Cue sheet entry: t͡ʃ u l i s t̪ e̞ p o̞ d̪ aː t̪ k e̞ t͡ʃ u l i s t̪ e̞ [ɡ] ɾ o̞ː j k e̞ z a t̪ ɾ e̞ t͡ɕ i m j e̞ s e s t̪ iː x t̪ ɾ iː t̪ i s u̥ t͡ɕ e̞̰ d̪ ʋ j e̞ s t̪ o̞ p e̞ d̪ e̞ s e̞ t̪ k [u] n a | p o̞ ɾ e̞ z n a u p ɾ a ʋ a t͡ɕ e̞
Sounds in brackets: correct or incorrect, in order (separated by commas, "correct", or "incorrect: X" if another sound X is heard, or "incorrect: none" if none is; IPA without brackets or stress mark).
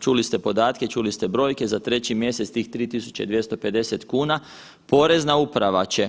incorrect: b, incorrect: uː